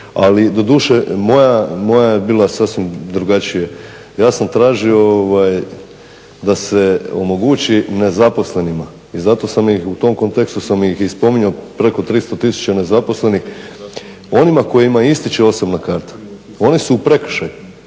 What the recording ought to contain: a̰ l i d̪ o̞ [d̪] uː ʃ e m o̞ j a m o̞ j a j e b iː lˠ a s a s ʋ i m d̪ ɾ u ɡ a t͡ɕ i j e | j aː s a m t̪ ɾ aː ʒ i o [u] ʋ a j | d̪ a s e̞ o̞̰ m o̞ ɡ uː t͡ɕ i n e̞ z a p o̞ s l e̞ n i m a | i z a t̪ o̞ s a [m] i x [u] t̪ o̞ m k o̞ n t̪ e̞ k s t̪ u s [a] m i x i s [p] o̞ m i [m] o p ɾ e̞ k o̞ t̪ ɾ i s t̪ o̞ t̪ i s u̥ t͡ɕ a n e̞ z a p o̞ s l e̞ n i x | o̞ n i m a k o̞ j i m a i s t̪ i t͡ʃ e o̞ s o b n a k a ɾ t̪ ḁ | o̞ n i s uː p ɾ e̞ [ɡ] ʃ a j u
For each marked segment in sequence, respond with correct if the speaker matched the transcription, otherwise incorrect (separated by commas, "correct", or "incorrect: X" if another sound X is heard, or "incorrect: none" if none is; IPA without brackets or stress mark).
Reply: correct, incorrect: o, correct, correct, correct, correct, incorrect: ɲ, incorrect: k